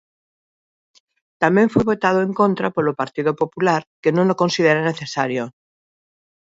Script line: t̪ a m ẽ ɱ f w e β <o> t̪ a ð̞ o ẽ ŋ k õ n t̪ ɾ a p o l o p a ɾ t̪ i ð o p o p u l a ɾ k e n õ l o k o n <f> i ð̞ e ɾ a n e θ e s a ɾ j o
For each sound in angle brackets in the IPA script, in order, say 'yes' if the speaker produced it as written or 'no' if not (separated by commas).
yes, no